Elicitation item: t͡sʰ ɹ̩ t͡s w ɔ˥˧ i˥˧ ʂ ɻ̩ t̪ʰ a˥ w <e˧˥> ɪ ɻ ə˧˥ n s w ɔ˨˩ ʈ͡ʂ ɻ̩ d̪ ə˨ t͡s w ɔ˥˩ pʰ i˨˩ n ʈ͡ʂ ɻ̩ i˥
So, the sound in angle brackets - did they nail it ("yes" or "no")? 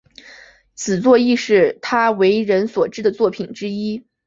yes